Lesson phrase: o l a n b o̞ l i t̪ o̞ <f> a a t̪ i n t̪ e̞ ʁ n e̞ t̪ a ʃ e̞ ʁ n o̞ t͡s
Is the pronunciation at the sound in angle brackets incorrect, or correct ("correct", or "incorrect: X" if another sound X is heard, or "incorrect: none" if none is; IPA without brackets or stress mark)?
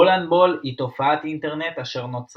correct